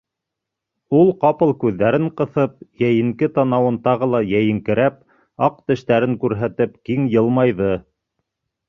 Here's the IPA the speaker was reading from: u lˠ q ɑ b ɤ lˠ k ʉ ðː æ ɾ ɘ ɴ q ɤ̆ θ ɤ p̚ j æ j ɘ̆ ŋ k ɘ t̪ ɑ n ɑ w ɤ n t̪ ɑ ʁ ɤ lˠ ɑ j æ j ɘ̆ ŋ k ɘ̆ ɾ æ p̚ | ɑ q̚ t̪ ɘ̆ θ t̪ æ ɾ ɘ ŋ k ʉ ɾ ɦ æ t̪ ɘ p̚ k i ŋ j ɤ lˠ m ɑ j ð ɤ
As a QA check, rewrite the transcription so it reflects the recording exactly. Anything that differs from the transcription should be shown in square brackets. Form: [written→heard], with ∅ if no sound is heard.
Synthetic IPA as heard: u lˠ q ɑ [b→p] ɤ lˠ k ʉ ðː æ ɾ ɘ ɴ q ɤ̆ θ ɤ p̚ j æ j ɘ̆ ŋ k ɘ t̪ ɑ n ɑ w ɤ n t̪ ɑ ʁ ɤ lˠ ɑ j æ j ɘ̆ ŋ k ɘ̆ ɾ æ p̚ | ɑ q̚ t̪ ɘ̆ [θ→ʃ] t̪ æ ɾ ɘ ŋ k ʉ ɾ ɦ æ t̪ ɘ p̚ k i ŋ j ɤ lˠ m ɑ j ð ɤ

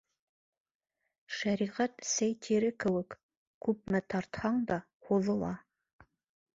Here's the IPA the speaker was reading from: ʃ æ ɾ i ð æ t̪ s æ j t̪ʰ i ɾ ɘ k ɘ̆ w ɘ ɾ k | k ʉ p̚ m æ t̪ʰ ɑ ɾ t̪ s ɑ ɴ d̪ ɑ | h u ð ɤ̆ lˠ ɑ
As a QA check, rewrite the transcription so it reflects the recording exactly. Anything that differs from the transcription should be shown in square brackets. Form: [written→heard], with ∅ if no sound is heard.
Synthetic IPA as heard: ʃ æ ɾ i [ð→ʁ] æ t̪ s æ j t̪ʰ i ɾ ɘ k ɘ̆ w ɘ [ɾ→∅] k | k ʉ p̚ m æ t̪ʰ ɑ ɾ t̪ [s→h] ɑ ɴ d̪ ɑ | h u ð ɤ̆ lˠ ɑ

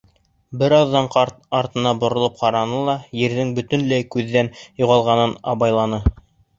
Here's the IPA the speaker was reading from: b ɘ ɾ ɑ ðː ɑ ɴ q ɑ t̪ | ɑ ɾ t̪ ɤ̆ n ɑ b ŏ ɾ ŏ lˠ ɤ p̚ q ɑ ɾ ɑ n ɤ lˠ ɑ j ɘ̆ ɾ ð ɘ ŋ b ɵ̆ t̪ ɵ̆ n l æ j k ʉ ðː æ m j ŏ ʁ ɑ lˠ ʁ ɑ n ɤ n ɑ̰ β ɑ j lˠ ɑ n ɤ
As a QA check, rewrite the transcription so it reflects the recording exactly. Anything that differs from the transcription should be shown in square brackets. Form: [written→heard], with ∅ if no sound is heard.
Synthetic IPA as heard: b ɘ ɾ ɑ ðː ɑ ɴ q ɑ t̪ | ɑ ɾ t̪ ɤ̆ n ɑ b ŏ ɾ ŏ lˠ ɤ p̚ q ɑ ɾ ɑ n ɤ lˠ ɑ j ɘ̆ ɾ ð ɘ ŋ b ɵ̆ t̪ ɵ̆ n l æ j k ʉ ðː æ [m→n] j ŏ ʁ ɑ lˠ ʁ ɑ n ɤ n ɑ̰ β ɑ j lˠ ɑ n ɤ

